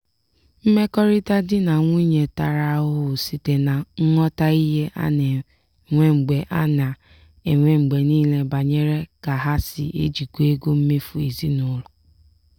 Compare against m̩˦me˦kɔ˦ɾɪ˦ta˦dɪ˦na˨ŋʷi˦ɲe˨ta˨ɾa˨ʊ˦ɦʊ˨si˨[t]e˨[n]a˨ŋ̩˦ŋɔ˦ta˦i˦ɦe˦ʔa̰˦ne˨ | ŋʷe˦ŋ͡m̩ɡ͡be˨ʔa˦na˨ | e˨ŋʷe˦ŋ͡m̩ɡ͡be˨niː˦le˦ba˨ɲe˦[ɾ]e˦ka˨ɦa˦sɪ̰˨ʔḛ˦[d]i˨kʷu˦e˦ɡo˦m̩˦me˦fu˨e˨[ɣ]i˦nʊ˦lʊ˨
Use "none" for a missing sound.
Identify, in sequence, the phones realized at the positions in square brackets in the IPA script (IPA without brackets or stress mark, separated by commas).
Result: t, n, ɾ, d͡ʒ, z